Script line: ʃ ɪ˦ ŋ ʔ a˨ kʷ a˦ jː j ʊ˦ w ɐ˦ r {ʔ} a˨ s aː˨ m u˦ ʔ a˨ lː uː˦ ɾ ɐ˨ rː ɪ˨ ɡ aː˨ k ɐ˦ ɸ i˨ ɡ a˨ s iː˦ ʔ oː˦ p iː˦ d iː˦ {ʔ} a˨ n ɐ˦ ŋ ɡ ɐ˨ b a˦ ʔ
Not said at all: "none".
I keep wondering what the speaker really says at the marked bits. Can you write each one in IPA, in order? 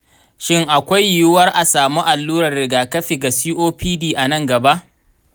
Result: ʔ, ʔ

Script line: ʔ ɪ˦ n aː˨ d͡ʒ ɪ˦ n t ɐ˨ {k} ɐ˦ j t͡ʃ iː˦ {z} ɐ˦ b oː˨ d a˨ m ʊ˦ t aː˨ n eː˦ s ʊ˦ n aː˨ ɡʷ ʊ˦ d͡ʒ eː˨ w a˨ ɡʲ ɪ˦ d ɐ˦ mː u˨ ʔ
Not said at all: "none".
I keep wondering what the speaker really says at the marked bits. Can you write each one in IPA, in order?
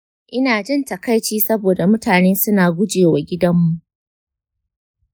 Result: k, s

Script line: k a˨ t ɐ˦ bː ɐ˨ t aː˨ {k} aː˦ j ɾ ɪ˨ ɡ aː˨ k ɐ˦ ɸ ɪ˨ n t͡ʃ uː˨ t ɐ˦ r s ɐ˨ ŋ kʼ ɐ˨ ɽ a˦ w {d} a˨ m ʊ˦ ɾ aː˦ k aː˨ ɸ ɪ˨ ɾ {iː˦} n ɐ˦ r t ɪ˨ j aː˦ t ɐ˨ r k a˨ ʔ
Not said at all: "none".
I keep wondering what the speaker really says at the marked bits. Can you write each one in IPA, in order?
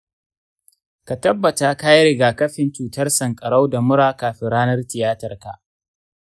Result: k, d, aː˦

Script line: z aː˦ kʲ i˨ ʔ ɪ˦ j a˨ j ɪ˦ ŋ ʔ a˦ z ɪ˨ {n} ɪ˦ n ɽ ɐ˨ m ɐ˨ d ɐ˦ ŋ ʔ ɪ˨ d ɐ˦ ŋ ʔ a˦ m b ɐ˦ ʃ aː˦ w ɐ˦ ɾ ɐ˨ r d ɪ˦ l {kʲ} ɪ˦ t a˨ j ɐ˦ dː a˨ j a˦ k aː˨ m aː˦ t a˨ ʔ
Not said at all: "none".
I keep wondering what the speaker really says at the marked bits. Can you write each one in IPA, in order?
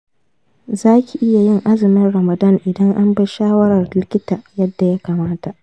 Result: m, kʲ

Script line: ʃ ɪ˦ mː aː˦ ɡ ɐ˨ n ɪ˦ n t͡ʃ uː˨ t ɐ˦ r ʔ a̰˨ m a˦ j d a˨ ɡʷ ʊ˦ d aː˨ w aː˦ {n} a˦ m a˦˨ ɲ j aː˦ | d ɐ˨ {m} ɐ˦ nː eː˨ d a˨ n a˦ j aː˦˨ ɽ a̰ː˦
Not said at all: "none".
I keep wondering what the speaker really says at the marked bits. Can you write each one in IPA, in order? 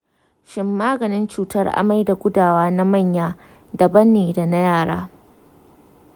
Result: n, b

